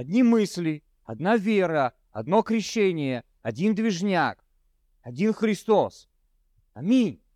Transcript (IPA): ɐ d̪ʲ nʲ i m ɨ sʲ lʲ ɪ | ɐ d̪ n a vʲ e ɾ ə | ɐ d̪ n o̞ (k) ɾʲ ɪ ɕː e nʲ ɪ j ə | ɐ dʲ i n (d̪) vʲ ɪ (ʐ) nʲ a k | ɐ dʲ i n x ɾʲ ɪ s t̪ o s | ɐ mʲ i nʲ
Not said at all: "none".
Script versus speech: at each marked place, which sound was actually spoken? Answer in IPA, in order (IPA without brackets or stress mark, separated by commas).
k, d̪, ʐ